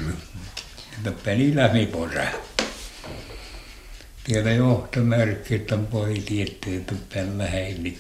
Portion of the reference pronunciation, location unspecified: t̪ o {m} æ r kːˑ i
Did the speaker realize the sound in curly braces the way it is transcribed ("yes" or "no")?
yes